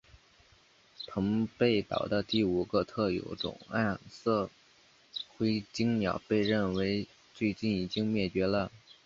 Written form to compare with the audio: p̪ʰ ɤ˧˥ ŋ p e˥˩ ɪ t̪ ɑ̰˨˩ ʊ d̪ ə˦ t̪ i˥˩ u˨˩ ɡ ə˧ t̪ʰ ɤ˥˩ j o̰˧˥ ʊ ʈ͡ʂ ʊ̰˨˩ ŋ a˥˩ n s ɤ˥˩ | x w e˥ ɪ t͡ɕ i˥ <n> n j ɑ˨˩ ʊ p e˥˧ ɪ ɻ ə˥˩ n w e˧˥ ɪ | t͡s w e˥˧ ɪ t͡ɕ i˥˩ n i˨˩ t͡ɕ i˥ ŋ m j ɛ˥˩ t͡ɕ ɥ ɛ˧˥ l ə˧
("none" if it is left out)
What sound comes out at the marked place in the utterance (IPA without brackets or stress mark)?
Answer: ŋ